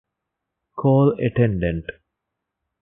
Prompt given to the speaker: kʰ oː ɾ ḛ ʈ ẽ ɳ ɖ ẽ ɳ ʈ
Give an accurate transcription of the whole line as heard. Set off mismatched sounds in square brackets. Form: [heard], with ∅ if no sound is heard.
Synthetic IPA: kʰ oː [l] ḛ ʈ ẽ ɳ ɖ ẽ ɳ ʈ